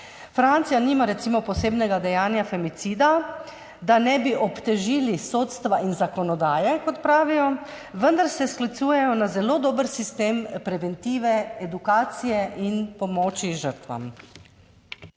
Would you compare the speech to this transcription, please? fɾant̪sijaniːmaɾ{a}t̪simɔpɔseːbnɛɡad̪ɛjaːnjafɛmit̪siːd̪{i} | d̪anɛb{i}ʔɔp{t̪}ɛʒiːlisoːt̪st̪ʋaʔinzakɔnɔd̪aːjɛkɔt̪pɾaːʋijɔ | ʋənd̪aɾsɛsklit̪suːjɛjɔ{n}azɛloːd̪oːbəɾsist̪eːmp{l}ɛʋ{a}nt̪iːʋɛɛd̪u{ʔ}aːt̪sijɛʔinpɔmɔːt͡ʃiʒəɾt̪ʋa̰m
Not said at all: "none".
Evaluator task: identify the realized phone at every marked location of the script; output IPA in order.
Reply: ɛ, a, i, t̪, n, ɾ, ɛ, k

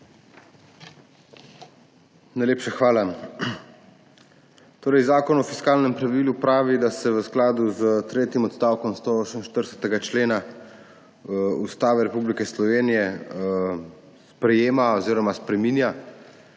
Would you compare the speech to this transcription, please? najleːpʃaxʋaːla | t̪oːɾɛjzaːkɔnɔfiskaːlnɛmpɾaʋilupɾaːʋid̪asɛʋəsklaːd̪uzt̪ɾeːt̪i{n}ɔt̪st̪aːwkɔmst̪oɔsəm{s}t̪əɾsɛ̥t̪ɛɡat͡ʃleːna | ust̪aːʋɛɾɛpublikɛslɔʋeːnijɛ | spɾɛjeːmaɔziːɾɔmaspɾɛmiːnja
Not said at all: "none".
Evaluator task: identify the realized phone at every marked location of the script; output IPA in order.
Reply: m, ʃ

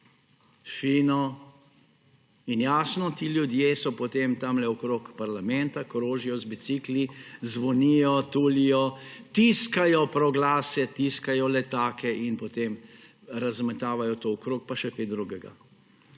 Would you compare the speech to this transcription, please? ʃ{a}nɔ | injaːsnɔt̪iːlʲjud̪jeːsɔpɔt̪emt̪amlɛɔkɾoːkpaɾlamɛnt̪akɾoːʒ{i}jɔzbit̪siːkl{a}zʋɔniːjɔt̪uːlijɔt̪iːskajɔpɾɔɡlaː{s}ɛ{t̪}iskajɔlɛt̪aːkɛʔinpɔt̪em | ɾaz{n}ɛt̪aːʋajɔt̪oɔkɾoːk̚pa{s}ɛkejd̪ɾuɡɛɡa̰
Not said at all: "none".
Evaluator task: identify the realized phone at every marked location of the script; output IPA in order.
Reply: i, i, i, s, t̪, m, ʃ

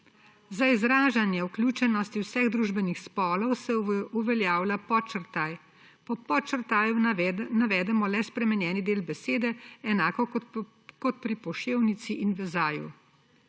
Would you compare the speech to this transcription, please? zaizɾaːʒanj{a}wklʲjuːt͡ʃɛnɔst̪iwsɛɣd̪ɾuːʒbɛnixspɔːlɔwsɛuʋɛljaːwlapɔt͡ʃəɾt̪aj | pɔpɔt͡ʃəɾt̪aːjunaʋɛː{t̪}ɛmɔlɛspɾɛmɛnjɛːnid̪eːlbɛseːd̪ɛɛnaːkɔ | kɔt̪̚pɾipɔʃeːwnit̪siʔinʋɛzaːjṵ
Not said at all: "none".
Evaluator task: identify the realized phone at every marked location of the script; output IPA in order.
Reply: ɛ, d̪

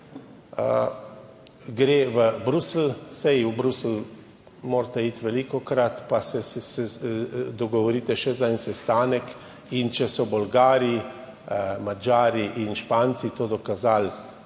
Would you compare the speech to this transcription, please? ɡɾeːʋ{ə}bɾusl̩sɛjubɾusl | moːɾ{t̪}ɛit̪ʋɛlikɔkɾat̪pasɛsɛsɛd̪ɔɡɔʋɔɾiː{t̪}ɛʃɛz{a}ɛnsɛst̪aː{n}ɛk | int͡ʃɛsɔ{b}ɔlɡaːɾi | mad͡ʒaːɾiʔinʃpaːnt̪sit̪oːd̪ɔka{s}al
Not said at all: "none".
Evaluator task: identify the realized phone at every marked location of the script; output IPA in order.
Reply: ə, t̪, t̪, a, n, b, z

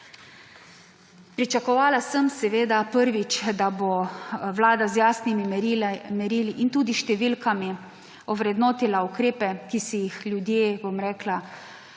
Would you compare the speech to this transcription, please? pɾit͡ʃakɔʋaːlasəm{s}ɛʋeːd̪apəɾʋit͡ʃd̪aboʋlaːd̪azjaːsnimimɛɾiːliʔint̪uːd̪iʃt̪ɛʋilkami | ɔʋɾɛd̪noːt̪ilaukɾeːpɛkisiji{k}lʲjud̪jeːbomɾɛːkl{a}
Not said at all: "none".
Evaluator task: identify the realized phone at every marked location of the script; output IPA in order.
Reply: s, x, a

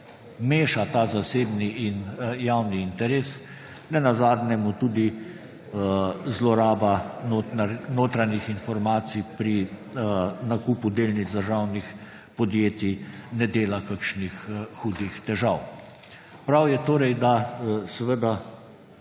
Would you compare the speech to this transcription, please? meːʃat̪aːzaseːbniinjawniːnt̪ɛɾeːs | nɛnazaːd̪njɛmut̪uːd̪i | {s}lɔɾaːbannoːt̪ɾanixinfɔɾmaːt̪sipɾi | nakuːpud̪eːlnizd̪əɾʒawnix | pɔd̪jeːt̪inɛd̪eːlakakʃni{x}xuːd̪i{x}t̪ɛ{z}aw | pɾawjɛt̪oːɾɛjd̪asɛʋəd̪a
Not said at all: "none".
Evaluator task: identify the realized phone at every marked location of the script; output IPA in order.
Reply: z, x, x, ʒ

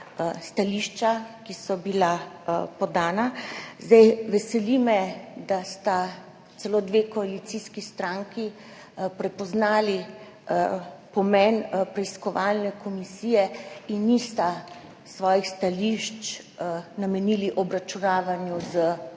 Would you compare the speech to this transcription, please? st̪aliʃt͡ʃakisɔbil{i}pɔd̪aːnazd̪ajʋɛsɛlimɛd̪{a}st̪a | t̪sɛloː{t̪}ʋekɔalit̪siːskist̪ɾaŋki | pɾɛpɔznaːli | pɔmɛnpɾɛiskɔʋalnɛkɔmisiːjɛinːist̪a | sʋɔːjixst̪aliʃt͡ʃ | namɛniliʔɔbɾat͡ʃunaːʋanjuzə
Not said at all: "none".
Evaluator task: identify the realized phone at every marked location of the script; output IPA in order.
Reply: a, a, d̪

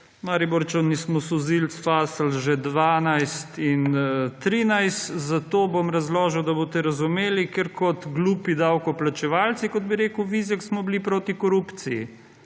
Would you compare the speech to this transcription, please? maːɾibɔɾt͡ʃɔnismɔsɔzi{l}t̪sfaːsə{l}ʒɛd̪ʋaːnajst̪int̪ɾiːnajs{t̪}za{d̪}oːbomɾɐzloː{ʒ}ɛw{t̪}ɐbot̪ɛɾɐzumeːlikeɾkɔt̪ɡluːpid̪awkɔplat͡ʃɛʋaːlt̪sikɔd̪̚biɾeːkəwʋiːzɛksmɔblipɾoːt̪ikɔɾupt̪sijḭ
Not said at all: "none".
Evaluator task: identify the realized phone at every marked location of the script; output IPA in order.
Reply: l, l, t̪, t̪, ʒ, d̪

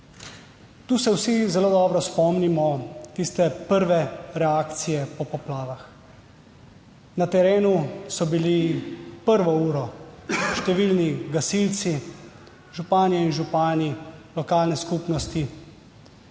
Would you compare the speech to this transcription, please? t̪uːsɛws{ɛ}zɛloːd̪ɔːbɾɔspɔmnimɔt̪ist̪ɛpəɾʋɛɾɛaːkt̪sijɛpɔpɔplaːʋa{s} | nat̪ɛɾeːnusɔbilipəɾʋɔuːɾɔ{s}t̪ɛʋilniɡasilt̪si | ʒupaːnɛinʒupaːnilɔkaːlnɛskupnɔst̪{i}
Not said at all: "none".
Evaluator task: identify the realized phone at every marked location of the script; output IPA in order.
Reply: i, x, ʃ, i

